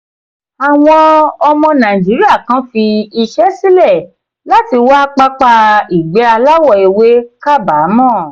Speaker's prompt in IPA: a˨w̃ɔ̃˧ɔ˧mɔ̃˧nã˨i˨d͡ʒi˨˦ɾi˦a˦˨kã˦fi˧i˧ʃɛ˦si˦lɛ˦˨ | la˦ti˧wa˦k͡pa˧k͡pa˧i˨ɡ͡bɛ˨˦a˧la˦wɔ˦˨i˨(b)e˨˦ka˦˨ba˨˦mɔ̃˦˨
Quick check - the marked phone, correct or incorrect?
incorrect